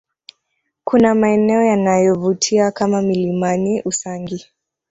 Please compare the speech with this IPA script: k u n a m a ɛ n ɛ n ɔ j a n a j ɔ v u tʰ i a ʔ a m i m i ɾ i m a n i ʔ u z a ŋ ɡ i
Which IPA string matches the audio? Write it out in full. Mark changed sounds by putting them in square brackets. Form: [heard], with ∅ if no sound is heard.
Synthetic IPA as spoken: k u n a m a ɛ n ɛ [∅] ɔ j a n a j ɔ v u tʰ i a [k] a m [a] m i [l] i m a n i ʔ u [s] a ŋ ɡ i